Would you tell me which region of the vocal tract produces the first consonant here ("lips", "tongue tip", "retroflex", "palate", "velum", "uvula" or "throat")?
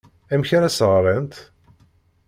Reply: lips